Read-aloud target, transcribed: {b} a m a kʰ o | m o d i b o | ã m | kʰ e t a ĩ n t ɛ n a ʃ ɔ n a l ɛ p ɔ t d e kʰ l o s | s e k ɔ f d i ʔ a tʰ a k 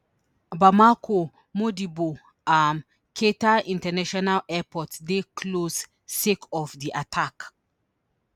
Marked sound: correct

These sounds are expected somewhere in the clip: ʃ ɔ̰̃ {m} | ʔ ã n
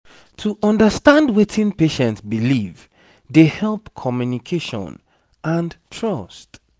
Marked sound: incorrect: n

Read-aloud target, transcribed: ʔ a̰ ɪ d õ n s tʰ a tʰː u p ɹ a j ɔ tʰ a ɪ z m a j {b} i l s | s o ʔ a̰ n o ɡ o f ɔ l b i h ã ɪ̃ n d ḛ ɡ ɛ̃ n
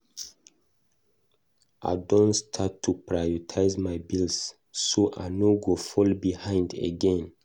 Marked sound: correct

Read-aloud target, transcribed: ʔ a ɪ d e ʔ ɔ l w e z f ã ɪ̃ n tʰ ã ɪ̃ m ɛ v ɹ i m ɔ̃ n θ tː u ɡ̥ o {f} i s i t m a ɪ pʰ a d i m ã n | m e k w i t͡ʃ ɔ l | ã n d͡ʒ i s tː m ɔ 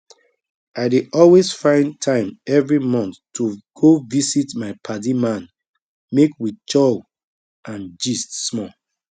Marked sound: incorrect: v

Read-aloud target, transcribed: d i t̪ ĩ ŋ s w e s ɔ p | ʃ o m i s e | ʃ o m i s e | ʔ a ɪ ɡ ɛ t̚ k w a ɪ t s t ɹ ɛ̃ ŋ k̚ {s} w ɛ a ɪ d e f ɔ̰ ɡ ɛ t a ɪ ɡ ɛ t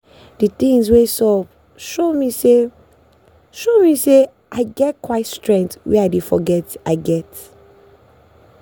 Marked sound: incorrect: t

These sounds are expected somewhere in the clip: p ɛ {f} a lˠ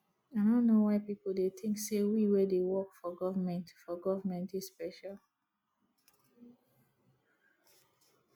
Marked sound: incorrect: ʃ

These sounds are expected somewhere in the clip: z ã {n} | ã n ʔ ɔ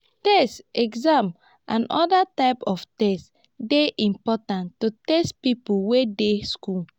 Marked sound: incorrect: m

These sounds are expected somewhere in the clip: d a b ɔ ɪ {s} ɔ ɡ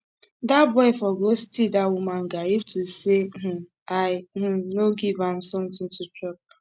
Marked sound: incorrect: f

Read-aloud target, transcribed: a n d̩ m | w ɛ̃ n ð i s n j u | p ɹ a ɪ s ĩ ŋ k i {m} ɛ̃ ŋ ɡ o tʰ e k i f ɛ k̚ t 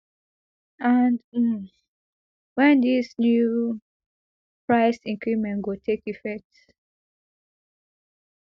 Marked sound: correct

